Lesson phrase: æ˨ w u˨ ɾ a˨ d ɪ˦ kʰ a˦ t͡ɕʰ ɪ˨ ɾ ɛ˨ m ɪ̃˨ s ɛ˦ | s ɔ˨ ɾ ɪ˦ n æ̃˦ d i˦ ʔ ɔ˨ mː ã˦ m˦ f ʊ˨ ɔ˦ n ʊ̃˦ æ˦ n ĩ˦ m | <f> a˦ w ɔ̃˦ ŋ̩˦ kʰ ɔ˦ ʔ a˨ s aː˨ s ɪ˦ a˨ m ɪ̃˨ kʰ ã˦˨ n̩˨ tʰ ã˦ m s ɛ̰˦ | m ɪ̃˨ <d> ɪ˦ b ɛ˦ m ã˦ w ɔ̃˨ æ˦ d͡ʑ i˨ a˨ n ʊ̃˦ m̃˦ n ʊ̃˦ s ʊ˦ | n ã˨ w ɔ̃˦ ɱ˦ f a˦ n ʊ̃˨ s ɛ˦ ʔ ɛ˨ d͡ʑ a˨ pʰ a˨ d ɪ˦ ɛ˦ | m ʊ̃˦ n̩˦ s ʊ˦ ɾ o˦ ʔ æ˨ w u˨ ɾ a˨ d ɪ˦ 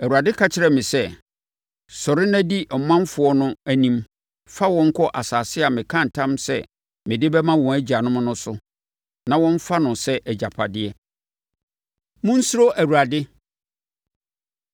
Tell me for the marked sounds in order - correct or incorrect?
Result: correct, correct

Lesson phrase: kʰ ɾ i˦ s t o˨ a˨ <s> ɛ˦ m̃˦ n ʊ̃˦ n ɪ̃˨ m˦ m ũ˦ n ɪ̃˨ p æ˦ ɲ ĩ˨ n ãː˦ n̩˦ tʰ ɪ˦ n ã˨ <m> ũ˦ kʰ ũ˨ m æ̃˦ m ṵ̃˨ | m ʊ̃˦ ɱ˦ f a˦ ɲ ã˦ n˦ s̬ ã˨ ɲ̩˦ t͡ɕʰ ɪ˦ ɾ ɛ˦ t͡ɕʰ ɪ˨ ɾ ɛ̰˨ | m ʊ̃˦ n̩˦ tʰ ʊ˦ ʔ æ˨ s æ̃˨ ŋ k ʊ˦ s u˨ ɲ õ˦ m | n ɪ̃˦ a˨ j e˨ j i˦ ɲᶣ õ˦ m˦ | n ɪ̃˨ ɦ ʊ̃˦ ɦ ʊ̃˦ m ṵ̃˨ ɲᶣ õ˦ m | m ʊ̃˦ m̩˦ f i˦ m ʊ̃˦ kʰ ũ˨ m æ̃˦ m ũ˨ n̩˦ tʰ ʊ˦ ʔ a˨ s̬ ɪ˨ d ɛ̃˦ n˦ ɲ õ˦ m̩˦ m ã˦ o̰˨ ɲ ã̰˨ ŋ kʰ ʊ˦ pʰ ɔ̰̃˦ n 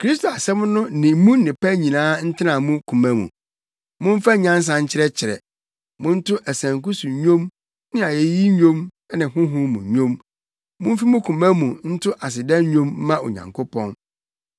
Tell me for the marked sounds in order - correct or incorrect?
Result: correct, correct

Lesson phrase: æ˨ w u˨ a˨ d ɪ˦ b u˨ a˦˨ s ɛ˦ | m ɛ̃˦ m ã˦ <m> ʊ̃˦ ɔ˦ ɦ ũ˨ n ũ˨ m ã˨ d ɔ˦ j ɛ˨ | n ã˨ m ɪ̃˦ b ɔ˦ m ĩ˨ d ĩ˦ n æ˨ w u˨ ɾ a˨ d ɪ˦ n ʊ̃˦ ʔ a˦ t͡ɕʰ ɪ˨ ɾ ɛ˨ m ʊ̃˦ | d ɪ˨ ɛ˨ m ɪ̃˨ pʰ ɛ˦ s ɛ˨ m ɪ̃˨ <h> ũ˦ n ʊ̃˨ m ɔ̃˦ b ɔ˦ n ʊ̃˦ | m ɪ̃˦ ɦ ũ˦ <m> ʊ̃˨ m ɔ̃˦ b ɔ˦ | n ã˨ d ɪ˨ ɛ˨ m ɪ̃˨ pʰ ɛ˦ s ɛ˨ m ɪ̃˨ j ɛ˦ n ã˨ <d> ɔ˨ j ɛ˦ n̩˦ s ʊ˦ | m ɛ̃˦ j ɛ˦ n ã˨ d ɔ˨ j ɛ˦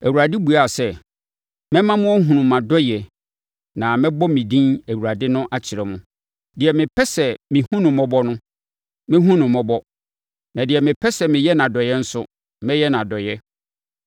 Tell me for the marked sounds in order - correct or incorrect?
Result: correct, correct, incorrect: n, correct

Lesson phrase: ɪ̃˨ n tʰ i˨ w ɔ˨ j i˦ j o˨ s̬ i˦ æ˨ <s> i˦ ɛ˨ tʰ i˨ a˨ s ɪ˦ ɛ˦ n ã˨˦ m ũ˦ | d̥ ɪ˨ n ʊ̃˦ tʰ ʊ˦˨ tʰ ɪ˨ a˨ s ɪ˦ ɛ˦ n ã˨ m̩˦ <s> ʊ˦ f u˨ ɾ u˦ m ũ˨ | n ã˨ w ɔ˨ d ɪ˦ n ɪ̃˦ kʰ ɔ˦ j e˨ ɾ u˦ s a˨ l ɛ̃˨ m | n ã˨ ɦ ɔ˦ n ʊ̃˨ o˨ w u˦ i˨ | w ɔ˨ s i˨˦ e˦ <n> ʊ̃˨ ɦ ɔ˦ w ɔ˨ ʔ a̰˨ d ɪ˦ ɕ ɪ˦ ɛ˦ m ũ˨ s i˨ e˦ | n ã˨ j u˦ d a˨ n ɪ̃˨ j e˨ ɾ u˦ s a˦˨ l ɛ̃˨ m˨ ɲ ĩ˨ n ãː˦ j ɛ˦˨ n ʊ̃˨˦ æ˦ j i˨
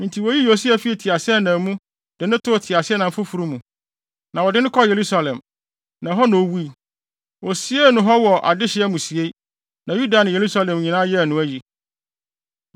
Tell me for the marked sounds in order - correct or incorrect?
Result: incorrect: f, incorrect: f, correct

